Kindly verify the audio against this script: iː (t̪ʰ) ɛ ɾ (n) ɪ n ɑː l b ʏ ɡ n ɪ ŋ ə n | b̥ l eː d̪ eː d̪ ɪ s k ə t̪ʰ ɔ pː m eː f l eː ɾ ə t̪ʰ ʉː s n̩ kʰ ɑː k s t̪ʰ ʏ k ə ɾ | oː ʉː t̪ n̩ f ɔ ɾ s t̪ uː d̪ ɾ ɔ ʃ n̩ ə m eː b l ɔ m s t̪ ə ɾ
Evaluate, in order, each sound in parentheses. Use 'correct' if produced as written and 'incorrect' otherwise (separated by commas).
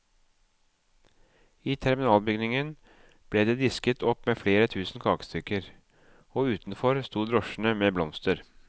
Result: correct, incorrect